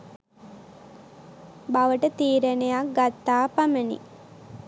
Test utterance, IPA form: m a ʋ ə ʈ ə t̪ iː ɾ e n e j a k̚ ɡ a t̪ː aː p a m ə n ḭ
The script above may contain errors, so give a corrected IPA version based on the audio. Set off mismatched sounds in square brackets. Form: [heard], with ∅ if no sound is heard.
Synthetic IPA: [b] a ʋ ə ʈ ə t̪ iː ɾ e n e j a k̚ ɡ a t̪ː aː p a m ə n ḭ